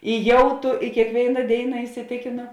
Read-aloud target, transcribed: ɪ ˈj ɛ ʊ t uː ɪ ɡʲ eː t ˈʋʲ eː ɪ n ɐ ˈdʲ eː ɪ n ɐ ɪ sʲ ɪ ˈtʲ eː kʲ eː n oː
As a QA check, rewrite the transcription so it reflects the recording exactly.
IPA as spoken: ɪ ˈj ɛ ʊ t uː ɪ kʲ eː k ˈʋʲ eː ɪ n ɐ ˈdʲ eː ɪ n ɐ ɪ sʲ ɪ ˈtʲ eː kʲ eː n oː